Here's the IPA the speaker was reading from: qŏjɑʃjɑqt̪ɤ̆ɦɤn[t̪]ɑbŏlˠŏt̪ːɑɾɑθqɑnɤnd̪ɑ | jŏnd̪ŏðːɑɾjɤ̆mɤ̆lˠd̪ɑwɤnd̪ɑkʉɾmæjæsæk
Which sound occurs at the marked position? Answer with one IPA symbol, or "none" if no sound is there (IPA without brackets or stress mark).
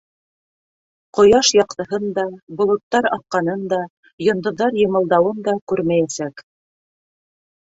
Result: d̪